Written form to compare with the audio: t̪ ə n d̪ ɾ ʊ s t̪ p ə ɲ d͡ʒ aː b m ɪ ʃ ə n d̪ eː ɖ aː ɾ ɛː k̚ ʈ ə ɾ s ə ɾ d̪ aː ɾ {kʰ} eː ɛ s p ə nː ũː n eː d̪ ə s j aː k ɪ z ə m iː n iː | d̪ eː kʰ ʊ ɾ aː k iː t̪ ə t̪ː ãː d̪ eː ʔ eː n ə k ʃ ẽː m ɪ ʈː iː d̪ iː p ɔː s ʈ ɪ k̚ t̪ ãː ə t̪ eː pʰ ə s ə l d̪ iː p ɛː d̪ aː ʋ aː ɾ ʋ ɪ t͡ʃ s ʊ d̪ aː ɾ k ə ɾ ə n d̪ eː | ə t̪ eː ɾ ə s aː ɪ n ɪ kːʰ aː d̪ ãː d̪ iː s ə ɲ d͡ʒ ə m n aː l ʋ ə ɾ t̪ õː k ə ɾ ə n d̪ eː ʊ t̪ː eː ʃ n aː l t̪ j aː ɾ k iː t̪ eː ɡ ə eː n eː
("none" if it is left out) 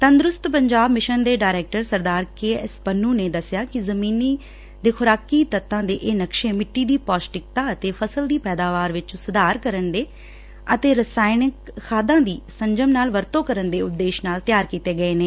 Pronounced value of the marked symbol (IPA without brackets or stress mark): k